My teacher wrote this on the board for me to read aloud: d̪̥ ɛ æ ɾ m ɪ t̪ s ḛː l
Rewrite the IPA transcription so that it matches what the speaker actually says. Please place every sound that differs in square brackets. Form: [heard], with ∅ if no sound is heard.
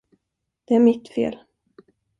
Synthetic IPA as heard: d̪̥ ɛ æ ɾ m ɪ t̪ [f] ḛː l